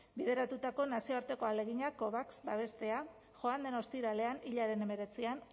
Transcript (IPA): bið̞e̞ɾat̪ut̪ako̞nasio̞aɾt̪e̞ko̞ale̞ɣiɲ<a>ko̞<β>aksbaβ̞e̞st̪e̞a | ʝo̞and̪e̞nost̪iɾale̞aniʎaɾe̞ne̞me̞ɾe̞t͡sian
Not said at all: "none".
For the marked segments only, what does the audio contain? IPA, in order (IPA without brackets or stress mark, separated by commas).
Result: a, β